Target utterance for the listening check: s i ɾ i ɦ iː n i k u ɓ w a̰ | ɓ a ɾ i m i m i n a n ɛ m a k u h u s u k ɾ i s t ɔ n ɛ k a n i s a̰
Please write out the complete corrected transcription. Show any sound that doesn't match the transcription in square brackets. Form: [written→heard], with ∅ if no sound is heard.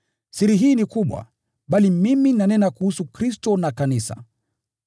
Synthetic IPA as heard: s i ɾ i ɦ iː n i k u ɓ w a̰ | ɓ a [ɾ→l] i m i m i n a n ɛ [m→n] a k u h u s u k ɾ i s t ɔ n [ɛ→a] k a n i s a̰